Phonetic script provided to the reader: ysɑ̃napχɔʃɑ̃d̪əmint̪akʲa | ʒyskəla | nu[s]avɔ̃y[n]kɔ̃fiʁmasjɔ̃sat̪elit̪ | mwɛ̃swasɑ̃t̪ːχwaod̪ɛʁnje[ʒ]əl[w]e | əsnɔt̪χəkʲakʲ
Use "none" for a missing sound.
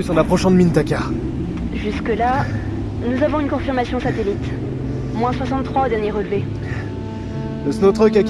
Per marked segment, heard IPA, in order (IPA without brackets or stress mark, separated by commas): z, n, ʁ, v